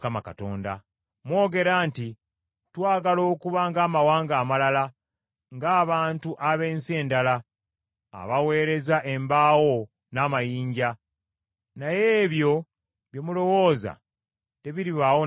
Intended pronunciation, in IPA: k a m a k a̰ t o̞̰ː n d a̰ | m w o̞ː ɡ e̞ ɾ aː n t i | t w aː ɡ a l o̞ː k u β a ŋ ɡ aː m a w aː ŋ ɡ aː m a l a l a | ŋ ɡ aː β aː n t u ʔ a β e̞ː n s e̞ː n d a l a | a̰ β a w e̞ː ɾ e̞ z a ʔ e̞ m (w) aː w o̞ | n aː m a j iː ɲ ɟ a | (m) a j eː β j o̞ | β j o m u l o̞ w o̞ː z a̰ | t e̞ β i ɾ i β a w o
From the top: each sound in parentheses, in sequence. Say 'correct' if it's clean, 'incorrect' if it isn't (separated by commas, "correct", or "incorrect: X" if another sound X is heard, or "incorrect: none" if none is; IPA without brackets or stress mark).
incorrect: b, incorrect: n